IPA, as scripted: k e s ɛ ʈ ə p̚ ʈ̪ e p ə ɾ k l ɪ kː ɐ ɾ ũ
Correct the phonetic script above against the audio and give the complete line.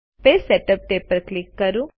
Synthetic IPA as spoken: p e s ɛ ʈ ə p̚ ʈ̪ e p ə ɾ k l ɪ kː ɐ ɾ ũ